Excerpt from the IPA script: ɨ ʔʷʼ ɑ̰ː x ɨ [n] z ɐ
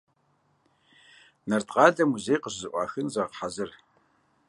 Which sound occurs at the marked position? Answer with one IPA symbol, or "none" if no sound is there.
n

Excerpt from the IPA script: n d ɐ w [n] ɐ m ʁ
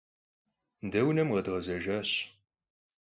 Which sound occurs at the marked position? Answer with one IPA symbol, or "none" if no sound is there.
n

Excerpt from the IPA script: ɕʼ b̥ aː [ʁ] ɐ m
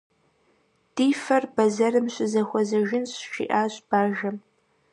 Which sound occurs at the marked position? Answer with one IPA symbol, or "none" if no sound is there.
ʒ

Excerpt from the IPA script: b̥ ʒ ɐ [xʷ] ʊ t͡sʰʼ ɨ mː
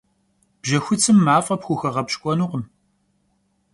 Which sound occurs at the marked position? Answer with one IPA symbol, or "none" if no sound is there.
xʷ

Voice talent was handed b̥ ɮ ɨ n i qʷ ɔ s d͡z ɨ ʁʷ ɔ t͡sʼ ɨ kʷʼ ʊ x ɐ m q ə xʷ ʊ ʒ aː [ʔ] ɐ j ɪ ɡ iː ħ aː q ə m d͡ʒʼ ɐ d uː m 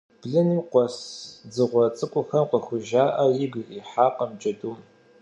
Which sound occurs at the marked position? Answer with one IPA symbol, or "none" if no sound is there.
ʔ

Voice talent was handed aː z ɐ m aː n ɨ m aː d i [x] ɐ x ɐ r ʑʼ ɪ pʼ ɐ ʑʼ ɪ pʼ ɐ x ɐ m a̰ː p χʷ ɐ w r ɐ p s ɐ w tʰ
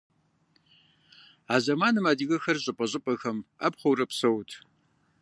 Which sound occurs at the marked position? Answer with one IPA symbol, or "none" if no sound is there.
ɣ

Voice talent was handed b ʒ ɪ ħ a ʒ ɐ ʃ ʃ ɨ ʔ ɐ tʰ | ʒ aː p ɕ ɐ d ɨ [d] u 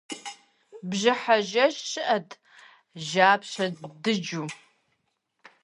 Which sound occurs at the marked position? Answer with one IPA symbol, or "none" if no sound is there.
d͡ʒ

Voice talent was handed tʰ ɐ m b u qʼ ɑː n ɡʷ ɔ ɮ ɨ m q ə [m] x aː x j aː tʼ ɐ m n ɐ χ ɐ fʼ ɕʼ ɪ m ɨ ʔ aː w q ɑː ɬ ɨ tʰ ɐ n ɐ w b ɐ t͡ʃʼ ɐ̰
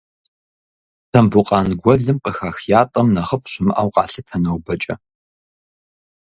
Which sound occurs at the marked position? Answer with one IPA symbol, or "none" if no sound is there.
none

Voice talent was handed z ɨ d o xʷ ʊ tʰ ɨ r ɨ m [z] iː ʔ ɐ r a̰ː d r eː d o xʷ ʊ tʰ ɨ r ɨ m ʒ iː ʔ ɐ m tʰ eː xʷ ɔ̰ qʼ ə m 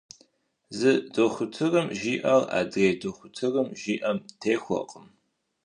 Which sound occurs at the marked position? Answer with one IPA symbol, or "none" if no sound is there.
ʒ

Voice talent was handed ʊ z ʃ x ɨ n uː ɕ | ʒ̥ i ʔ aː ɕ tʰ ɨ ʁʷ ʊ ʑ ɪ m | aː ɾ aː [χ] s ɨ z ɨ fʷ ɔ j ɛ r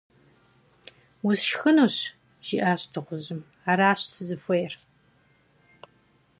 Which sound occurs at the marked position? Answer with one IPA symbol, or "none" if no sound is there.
ɕ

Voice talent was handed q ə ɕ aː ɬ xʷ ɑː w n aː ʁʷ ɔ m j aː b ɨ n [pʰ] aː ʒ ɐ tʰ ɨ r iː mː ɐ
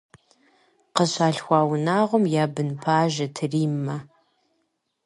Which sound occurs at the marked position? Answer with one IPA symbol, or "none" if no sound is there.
pʰ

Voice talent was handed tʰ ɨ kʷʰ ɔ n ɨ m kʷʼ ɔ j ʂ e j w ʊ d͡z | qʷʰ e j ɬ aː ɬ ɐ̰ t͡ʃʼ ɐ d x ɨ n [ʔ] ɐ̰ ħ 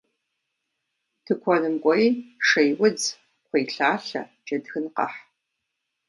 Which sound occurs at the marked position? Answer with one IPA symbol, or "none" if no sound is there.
q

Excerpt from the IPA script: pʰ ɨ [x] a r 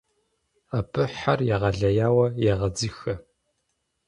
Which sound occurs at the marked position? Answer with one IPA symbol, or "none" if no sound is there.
ħ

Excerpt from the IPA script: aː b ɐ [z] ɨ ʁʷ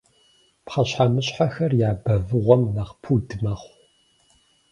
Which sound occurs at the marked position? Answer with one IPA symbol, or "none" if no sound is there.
v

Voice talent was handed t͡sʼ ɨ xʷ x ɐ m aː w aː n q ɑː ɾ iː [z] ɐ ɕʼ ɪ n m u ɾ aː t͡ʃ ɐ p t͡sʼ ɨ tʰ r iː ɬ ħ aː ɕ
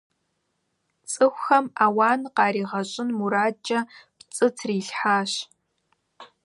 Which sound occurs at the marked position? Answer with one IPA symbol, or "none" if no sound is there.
ʁ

